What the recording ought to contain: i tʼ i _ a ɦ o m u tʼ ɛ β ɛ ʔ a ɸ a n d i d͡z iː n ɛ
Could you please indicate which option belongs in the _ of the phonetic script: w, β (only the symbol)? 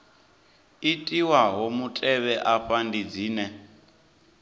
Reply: w